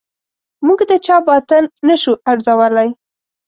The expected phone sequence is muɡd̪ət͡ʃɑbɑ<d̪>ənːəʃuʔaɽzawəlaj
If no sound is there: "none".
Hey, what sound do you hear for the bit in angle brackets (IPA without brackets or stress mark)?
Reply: t̪